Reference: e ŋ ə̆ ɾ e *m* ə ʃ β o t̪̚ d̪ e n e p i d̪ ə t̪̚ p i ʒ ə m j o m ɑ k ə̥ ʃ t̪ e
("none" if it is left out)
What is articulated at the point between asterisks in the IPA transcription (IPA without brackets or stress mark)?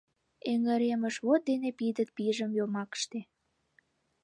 m